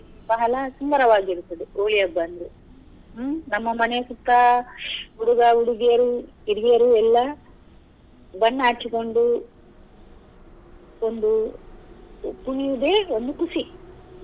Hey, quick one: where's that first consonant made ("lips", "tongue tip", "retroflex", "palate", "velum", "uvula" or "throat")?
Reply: lips